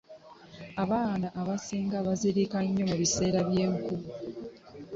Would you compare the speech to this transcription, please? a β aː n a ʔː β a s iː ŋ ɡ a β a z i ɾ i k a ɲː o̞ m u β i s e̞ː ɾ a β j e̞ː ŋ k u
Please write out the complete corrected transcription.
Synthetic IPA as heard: a β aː n a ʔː β a s iː ŋ ɡ a β a z i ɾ i k a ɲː o̞ m u β i s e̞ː ɾ a β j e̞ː ŋ k u